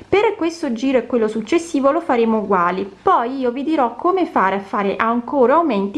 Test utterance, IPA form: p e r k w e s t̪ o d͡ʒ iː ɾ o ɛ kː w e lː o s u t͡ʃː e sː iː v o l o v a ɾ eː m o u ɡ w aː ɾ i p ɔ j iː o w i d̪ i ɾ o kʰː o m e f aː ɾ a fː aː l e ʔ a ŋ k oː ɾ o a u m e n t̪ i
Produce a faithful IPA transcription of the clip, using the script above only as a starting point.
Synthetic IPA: p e r k w e s t̪ o d͡ʒ iː ɾ o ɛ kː w e lː o s u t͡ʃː e sː iː v o l o f a ɾ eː m o u ɡ w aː l i p ɔ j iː o v i d̪ i ɾ ɔ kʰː o m e f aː ɾ a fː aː ɾ e ʔ a ŋ k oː ɾ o a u m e n t̪ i